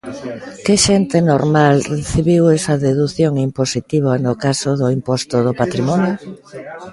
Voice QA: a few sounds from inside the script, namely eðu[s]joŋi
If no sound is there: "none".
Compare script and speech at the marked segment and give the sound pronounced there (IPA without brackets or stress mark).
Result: θ